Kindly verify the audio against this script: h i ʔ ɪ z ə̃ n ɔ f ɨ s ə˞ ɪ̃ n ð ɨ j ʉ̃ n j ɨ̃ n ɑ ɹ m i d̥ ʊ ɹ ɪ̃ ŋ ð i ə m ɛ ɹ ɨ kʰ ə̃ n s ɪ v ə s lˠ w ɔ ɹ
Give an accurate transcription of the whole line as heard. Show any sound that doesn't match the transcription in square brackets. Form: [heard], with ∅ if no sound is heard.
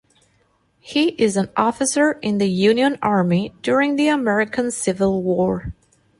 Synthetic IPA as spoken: h i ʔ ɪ z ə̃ n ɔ f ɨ s ə˞ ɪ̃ n ð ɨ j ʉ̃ n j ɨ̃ n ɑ ɹ m i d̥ ʊ ɹ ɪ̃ ŋ ð i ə m ɛ ɹ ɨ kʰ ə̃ n s ɪ v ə [∅] lˠ w ɔ ɹ